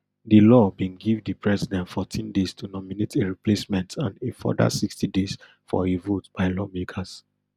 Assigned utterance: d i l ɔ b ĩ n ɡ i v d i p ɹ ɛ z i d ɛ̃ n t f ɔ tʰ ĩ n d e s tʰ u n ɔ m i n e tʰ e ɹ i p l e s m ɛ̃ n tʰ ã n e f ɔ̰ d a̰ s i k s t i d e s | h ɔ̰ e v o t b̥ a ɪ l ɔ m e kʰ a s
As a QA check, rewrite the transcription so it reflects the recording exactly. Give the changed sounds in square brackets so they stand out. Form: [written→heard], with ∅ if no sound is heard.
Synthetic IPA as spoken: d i l ɔ b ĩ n ɡ i v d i p ɹ ɛ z i d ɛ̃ n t f ɔ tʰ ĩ n d e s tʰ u n ɔ m i n e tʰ e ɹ i p l e s m ɛ̃ n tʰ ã n e f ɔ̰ d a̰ s i k s t i d e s | [h→f] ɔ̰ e v o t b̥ a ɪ l ɔ m e kʰ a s

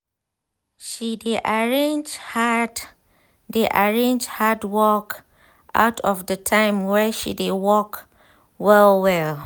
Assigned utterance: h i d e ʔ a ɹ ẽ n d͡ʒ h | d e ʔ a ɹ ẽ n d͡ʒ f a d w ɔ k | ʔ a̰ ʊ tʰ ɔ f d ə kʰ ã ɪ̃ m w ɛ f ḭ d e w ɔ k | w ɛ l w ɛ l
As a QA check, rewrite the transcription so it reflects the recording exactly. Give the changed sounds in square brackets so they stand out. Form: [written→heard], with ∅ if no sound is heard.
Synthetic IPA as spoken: [h→ʃ] i d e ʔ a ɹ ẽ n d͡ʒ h | d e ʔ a ɹ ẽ n d͡ʒ [f→h] a d w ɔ k | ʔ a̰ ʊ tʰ ɔ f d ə [kʰ→tʰ] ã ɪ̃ m w ɛ [f→ʃ] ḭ d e w ɔ k | w ɛ l w ɛ l

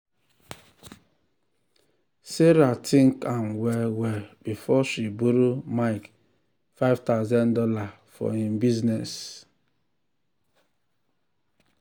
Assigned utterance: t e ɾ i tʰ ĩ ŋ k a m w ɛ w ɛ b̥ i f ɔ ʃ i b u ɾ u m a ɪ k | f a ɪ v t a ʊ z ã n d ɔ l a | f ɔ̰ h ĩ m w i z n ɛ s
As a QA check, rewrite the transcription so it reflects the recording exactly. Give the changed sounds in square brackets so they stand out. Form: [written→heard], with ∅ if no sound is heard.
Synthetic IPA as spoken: [t→s] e ɾ [i→a] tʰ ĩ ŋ k a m w ɛ w ɛ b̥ i f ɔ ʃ i b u ɾ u m a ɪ k | f a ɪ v t a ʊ z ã n d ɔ l a | f ɔ̰ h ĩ m [w→b] i z n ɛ s

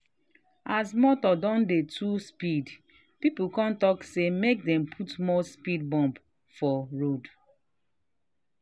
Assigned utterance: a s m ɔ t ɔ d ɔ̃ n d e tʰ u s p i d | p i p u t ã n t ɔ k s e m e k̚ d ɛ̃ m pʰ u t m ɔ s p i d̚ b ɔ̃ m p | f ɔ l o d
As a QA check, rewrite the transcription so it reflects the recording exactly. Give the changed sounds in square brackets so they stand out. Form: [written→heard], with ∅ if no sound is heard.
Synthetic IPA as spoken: a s m ɔ t ɔ d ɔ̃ n d e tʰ u s p i d | p i p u [t→k] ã n t ɔ k s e m e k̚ d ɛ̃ m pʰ u t m ɔ s p i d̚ b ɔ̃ m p | f ɔ [l→ɹ] o d

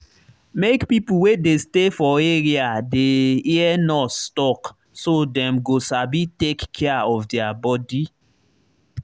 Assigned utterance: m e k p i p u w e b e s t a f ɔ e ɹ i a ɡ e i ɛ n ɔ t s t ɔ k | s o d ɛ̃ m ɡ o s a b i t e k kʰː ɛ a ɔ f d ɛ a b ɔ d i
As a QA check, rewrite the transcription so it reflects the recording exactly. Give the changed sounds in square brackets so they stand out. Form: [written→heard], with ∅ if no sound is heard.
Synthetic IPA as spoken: m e k p i p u w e [b→d] e s t [a→e] f ɔ e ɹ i a [ɡ→d] e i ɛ n ɔ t s t ɔ k | s o d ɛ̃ m ɡ o s a b i t e k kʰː ɛ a ɔ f d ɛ a b ɔ d i

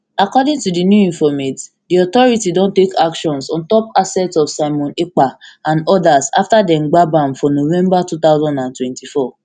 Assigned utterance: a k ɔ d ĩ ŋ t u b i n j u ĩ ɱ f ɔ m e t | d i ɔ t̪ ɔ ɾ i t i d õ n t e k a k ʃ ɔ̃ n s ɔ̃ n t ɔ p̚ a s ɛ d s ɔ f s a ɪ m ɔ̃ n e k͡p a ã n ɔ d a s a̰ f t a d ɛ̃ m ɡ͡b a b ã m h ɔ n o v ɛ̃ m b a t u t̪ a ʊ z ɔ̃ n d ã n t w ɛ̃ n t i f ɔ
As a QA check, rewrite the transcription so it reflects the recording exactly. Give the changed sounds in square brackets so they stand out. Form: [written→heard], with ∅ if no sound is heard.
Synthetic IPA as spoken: a k ɔ d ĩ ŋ t u [b→d] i n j u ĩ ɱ f ɔ m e t | d i ɔ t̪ ɔ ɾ i t i d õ n t e k a k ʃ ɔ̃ n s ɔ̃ n t ɔ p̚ a s ɛ [d→t] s ɔ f s a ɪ m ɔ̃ n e k͡p a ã n ɔ d a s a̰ f t a d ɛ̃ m ɡ͡b a b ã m [h→f] ɔ n o v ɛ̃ m b a t u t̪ a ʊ z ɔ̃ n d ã n t w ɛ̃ n t i f ɔ

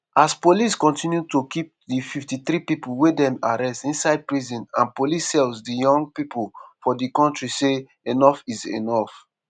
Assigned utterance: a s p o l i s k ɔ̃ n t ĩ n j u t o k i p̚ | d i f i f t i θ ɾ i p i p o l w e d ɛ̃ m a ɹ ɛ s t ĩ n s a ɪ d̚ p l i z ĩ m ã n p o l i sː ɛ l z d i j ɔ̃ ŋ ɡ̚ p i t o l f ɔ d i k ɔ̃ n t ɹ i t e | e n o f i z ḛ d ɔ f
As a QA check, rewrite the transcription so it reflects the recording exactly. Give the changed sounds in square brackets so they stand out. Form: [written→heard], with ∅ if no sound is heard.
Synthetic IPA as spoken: a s p o l i s k ɔ̃ n t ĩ n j u t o k i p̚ | d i f i f t i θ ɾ i p i p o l w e d ɛ̃ m a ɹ ɛ s t ĩ n s a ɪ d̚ p [l→ɹ] i z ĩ [m→n] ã n p o l i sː ɛ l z d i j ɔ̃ ŋ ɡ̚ p i [t→p] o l f ɔ d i k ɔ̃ n t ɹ i [t→s] e | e n [o→ɔ] f i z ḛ [d→n] ɔ f

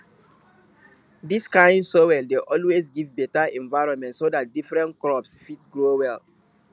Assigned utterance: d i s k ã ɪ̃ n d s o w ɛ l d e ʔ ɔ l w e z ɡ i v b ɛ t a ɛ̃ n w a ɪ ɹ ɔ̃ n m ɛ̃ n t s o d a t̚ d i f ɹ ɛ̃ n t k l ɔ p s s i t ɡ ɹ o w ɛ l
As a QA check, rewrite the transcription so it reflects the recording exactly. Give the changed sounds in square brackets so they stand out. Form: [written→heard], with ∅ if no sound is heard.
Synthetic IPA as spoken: d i s k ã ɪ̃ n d s o w ɛ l d e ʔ ɔ l w e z ɡ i v b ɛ t a ɛ̃ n [w→v] a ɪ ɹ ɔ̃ n m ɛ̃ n t s o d a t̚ d i f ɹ ɛ̃ n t k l ɔ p s [s→f] i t ɡ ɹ o w ɛ l

